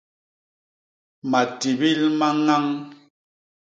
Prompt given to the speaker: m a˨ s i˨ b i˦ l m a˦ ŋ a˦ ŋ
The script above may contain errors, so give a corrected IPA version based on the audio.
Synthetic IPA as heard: m a˨ t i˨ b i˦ l m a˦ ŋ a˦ ŋ